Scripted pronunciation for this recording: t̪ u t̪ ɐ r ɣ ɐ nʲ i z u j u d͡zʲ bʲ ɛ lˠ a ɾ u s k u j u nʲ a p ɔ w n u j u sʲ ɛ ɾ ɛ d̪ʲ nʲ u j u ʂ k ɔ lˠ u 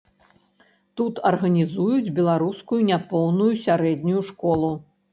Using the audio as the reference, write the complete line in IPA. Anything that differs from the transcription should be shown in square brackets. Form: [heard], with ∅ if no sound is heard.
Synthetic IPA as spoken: t̪ u t̪ ɐ r ɣ ɐ nʲ i z u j u d͡zʲ bʲ ɛ lˠ a ɾ u s k u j u nʲ a p ɔ w n u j u sʲ [a] ɾ ɛ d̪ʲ nʲ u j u ʂ k ɔ lˠ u